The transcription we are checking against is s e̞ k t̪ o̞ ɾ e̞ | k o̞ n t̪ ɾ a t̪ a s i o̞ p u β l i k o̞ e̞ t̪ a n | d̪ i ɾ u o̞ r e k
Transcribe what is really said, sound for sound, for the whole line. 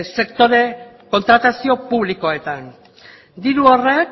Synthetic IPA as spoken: s e̞ k t̪ o̞ ɾ e̞ | k o̞ n t̪ ɾ a t̪ a s i o̞ p u β l i k o̞ e̞ t̪ a n | d̪ i ɾ u o̞ r e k